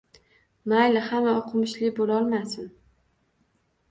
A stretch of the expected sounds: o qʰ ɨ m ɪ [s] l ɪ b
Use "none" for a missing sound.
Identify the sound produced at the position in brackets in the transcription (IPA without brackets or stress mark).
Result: ʃ